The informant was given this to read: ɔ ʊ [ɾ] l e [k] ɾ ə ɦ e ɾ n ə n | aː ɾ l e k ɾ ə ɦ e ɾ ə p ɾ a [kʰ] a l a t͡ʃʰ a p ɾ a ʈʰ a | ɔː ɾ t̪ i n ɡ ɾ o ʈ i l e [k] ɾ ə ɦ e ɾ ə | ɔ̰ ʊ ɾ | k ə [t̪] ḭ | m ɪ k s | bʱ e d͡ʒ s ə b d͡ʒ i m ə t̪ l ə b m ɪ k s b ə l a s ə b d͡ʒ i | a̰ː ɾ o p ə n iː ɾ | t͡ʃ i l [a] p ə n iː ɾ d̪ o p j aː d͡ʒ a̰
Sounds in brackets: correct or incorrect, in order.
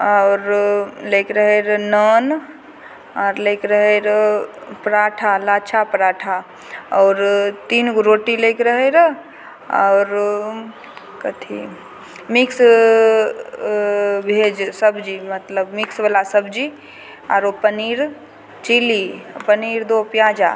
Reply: correct, correct, incorrect, correct, incorrect, incorrect

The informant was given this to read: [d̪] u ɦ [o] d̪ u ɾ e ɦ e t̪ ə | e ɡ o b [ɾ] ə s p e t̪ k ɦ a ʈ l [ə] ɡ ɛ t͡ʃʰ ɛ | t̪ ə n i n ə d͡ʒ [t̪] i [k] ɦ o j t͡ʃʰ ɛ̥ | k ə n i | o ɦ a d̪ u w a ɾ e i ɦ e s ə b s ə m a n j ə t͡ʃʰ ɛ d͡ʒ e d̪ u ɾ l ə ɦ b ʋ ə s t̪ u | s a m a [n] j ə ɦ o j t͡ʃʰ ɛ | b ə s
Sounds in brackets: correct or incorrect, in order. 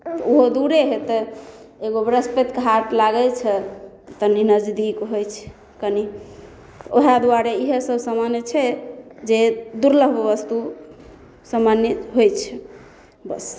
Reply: incorrect, correct, correct, incorrect, incorrect, correct, correct

